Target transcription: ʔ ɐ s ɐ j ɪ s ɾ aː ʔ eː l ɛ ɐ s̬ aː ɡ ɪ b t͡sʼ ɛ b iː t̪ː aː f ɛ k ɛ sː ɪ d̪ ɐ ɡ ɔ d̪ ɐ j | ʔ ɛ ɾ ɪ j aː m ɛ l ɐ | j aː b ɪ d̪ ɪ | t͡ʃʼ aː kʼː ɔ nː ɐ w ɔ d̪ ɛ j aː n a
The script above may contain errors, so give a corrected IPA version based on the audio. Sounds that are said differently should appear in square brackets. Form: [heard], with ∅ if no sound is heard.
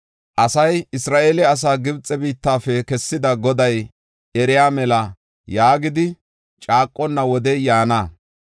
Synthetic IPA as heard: ʔ ɐ s ɐ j ɪ s ɾ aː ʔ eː l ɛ ɐ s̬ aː ɡ ɪ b t͡sʼ ɛ b iː t̪ː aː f ɛ k ɛ sː ɪ d̪ ɐ ɡ ɔ d̪ ɐ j | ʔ ɛ ɾ ɪ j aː m ɛ l ɐ | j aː [ɡ] ɪ d̪ ɪ | t͡ʃʼ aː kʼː ɔ nː ɐ w ɔ d̪ ɛ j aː n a